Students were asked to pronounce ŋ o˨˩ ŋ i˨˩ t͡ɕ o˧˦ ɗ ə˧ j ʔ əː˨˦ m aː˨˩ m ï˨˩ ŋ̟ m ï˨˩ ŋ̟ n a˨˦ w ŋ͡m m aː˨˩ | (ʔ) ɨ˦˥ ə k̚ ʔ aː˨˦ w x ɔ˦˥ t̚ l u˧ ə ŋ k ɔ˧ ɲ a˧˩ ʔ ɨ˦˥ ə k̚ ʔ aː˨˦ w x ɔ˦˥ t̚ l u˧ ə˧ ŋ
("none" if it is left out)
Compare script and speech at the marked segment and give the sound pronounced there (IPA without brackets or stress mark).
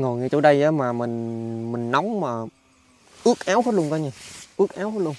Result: ʔ